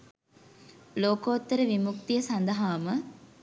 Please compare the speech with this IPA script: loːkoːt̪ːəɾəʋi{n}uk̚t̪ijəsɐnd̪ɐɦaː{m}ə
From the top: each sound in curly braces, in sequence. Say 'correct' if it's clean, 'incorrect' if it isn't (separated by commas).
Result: incorrect, correct